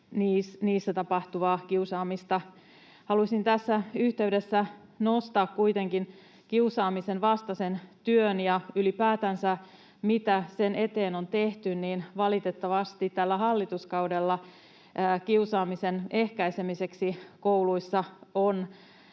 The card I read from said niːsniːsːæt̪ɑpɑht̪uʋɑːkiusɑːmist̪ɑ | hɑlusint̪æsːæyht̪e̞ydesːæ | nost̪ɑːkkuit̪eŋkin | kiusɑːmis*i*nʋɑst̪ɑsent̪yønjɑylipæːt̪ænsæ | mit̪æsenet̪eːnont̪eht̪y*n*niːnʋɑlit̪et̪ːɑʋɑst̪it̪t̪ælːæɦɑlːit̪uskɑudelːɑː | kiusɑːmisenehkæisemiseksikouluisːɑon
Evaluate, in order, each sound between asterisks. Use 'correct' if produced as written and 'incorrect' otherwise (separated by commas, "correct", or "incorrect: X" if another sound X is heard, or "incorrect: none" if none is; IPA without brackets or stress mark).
incorrect: e, correct